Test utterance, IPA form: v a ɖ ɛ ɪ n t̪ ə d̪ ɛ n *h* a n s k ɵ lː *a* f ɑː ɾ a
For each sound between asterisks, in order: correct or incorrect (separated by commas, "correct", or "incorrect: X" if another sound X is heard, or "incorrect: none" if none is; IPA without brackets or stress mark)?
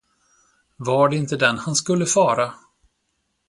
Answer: correct, incorrect: ə